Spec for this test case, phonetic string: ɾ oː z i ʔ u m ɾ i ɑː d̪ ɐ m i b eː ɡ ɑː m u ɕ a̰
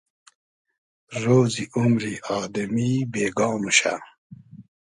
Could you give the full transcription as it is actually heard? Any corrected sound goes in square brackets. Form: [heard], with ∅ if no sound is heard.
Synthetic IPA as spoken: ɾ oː z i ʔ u m ɾ i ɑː d̪ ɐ m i b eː ɡ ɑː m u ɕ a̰